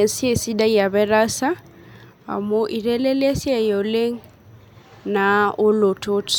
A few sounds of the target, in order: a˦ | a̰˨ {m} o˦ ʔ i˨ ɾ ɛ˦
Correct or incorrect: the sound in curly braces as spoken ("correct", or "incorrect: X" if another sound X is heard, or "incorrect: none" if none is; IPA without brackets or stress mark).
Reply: correct